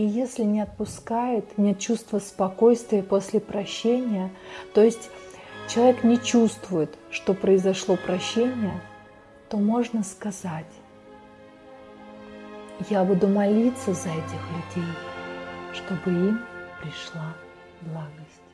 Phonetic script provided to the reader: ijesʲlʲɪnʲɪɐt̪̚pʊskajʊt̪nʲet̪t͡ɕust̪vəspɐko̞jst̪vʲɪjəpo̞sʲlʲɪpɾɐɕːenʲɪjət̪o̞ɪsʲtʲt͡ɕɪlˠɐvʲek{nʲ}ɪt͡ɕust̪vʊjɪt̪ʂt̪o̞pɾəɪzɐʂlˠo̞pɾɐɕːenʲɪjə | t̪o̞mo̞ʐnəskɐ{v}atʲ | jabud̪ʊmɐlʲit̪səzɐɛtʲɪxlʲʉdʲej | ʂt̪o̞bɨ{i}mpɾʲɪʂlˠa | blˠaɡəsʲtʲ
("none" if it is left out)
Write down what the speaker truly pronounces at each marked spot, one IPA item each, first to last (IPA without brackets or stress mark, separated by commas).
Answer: nʲ, z, i